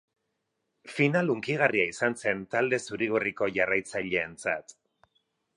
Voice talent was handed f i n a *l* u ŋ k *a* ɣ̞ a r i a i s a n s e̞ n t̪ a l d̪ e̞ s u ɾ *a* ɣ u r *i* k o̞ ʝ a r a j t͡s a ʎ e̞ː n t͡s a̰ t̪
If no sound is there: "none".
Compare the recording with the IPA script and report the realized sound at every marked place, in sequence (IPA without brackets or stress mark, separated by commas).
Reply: l, i, i, i